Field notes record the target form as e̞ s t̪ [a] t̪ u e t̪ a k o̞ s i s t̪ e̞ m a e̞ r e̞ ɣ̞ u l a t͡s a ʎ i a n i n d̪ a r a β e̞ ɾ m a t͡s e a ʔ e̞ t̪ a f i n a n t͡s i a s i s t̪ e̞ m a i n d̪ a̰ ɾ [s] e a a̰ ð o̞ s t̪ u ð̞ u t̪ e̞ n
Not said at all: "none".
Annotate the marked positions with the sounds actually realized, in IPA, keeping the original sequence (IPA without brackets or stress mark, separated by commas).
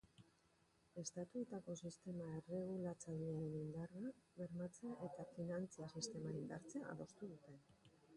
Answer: a, t͡s